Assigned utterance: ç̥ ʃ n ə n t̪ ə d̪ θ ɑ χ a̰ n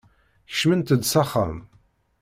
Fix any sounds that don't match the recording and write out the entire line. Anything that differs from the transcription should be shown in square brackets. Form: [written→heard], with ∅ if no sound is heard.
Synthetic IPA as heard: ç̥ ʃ [n→m] ə n t̪ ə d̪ [θ→s] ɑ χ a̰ [n→m]